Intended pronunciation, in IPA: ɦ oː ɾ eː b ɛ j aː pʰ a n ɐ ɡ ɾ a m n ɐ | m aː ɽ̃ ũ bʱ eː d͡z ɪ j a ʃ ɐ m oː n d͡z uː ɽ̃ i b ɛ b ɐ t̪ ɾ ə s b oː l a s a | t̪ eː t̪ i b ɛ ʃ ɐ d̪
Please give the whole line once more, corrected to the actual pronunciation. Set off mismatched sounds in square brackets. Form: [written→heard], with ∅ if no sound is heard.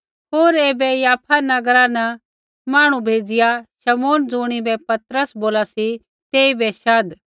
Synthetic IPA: ɦ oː ɾ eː b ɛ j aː pʰ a n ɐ ɡ ɾ a [m→∅] n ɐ | m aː ɽ̃ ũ bʱ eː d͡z ɪ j a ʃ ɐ m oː n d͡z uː ɽ̃ i b ɛ [b→p] ɐ t̪ ɾ ə s b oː l a s [a→i] | t̪ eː [t̪→∅] i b ɛ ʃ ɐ d̪